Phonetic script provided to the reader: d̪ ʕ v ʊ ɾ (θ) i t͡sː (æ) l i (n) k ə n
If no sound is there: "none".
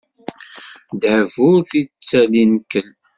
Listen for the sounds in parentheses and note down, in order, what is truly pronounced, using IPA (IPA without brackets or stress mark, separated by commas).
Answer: θ, æ, n